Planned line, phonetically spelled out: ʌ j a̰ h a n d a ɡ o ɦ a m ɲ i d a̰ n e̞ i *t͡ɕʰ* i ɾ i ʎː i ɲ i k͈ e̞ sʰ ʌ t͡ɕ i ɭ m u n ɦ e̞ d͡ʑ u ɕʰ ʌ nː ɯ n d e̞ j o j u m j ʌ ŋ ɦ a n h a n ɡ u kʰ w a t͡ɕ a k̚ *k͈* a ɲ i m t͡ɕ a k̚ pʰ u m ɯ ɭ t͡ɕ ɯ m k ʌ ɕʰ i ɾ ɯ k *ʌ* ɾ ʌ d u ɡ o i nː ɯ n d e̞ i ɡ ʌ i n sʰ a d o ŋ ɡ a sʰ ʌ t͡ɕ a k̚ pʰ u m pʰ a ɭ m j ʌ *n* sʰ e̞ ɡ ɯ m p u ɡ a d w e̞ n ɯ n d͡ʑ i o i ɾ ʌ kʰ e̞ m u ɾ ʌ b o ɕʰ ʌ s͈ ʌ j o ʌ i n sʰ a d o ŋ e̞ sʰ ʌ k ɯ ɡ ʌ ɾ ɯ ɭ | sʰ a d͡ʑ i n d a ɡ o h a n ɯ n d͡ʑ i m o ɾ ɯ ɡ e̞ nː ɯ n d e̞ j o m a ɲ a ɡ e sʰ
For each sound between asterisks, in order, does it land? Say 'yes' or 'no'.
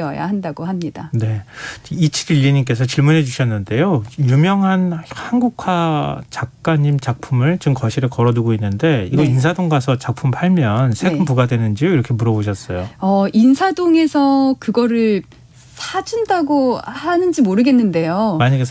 yes, yes, yes, yes

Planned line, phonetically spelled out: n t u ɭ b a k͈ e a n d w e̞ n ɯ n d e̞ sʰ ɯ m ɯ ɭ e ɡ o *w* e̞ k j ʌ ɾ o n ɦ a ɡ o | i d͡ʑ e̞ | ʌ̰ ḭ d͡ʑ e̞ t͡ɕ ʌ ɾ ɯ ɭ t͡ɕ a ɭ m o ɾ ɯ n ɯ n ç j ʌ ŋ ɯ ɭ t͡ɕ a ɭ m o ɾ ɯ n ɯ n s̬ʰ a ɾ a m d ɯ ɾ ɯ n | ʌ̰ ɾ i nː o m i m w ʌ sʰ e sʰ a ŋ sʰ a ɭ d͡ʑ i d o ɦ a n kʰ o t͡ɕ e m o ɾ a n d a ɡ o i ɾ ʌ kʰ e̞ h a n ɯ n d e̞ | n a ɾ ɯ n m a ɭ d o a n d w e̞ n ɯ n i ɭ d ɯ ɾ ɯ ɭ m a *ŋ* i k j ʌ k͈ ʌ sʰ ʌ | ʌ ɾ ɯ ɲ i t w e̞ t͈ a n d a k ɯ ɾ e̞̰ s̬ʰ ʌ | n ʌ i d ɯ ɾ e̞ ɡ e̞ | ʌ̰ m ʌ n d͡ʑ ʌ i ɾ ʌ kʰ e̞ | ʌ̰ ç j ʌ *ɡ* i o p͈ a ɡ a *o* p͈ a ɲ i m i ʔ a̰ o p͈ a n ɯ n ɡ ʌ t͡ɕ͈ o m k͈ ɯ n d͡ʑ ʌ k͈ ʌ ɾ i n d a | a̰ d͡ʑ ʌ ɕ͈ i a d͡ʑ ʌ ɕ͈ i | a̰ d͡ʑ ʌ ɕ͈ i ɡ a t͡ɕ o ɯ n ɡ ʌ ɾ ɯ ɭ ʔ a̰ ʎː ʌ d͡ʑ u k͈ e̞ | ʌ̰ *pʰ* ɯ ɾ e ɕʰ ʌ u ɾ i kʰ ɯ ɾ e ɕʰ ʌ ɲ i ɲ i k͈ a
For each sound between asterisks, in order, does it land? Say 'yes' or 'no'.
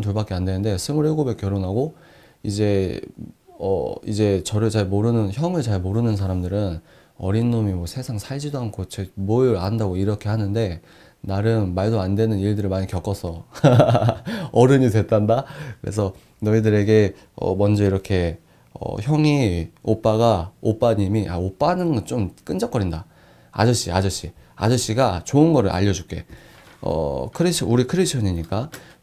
no, no, no, yes, no

